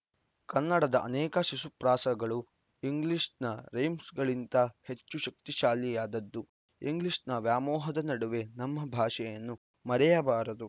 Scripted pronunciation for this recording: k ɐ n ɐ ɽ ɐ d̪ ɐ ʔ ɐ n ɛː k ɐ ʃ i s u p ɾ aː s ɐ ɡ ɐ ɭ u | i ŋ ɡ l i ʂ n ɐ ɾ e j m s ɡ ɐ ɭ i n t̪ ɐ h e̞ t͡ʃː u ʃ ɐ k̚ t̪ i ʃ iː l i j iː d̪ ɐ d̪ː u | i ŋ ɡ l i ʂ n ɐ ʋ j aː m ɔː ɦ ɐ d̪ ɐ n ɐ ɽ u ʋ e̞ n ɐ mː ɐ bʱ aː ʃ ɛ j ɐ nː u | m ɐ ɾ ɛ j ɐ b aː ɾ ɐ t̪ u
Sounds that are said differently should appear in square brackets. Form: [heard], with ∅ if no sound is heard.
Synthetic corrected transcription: k ɐ [nː] ɐ ɽ ɐ d̪ ɐ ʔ ɐ n ɛː k ɐ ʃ i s u p ɾ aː s ɐ ɡ ɐ ɭ u | i ŋ ɡ l i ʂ n ɐ ɾ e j m s ɡ ɐ ɭ i n t̪ ɐ h e̞ t͡ʃː u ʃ ɐ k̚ t̪ i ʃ [aː] l i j [aː] d̪ ɐ d̪ː u | i ŋ ɡ l i ʂ n ɐ ʋ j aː m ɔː ɦ ɐ d̪ ɐ n ɐ ɽ u ʋ e̞ n ɐ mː ɐ bʱ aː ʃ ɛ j ɐ nː u | m ɐ ɾ ɛ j ɐ b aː ɾ ɐ [d̪] u